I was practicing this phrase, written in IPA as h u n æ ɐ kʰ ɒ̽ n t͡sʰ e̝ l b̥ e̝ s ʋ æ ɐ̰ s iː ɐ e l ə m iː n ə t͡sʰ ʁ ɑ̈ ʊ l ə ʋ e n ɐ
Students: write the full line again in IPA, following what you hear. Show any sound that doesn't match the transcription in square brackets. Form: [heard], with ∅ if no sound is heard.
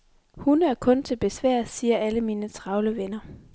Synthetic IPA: h u n æ ɐ kʰ [ɔ̽] n t͡sʰ e̝ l b̥ e̝ s ʋ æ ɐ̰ s iː ɐ [æ] l ə m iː n ə t͡sʰ ʁ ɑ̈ ʊ l ə ʋ e n ɐ